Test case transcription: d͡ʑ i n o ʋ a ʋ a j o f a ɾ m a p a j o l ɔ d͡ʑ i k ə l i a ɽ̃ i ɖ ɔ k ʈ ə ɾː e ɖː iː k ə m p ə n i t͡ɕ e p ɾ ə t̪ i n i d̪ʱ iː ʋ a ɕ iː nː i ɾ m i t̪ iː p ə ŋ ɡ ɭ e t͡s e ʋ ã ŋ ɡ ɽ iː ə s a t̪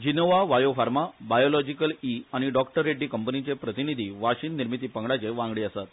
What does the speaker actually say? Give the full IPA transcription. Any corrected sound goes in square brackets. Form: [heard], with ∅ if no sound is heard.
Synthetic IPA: d͡ʑ i n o ʋ a ʋ a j o f a ɾ m a [b] a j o l ɔ d͡ʑ i k ə l i a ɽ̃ i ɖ ɔ k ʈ ə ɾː e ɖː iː k ə m p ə n i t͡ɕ e p ɾ ə t̪ i n i d̪ʱ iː ʋ a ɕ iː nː i ɾ m i t̪ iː p ə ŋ ɡ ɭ [a] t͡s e ʋ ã ŋ ɡ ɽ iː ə s a t̪